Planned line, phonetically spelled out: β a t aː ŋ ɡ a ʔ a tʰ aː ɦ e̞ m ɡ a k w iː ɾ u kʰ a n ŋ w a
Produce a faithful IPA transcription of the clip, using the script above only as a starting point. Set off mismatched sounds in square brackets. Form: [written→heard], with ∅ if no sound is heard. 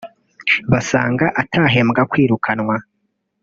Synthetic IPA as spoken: β a [t→s] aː ŋ ɡ a ʔ a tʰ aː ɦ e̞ m ɡ a k w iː ɾ u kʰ a n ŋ w a